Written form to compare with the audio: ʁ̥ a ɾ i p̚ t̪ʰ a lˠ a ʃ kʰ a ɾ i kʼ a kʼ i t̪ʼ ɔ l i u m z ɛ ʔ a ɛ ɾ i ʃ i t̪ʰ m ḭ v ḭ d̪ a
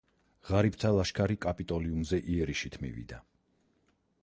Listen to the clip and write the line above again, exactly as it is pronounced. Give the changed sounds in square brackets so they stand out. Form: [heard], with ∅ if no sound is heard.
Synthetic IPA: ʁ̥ a ɾ i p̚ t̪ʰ a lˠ a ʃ kʰ a ɾ i kʼ a [pʼ] i t̪ʼ ɔ l i u m z ɛ ʔ [i] ɛ ɾ i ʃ i t̪ʰ m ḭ v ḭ d̪ a